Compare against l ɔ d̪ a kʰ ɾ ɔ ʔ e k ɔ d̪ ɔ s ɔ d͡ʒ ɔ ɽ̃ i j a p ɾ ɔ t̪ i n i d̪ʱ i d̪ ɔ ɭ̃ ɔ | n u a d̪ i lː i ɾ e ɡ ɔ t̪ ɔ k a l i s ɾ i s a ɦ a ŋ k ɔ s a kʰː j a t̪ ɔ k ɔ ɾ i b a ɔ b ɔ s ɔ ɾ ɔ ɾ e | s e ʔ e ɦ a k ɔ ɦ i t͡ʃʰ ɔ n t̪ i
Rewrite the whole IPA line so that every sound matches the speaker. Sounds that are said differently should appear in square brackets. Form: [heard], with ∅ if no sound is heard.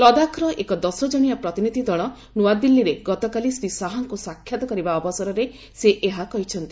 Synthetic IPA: l ɔ d̪ a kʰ ɾ ɔ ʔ e k ɔ d̪ ɔ s ɔ d͡ʒ ɔ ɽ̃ i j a p ɾ ɔ t̪ i n i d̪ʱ i d̪ ɔ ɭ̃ ɔ | n u a d̪ i lː i ɾ e ɡ ɔ t̪ ɔ k a l i s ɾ i s a ɦ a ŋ k [u] s a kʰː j a t̪ ɔ k ɔ ɾ i b a ɔ b ɔ s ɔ ɾ ɔ ɾ e | s e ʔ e ɦ a k ɔ ɦ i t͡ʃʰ ɔ n t̪ i